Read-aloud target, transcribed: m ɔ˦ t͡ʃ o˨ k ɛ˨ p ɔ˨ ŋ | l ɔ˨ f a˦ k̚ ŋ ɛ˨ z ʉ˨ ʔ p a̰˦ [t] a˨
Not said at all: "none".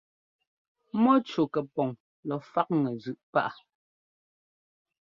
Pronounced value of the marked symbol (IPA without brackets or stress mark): ʔ